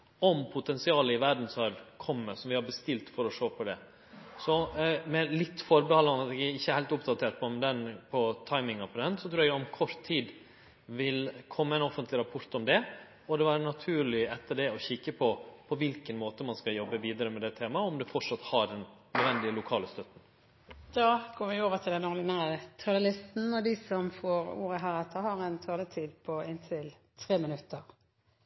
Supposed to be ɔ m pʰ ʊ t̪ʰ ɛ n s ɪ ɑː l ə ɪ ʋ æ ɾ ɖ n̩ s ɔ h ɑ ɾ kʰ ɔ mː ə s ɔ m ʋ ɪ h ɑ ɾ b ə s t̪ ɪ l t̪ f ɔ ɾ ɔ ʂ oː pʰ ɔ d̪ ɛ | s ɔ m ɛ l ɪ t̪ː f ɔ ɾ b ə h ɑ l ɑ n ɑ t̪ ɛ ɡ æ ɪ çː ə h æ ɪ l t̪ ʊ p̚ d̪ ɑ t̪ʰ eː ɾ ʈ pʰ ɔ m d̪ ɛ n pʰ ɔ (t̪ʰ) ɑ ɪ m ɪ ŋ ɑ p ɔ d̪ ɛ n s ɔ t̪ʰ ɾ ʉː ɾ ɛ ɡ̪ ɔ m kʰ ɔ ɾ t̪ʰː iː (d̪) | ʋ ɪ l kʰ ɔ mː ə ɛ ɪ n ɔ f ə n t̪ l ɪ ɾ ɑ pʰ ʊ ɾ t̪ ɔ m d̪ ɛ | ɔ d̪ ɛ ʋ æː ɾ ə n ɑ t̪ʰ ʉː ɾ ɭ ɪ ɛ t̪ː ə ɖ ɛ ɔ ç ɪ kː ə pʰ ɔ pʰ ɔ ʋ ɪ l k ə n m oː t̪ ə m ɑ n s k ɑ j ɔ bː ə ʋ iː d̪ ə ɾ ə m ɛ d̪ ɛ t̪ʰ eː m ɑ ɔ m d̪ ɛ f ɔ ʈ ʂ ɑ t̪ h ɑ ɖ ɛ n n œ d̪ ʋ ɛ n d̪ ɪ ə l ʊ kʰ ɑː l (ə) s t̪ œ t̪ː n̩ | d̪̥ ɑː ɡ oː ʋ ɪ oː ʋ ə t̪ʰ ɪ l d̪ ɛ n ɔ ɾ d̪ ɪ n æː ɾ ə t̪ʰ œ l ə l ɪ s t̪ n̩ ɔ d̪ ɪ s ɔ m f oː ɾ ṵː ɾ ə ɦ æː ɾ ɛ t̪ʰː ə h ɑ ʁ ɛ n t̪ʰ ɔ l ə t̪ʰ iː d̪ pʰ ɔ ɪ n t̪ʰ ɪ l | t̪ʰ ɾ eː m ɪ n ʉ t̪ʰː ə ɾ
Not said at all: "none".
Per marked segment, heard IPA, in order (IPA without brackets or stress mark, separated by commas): t̪ʰ, d̪, ə